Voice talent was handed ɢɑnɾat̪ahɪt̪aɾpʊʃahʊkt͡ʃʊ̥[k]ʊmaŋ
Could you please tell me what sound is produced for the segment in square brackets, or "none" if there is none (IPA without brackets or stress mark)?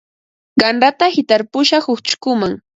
k